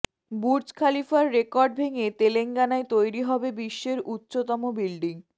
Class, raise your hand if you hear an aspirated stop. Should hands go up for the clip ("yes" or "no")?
yes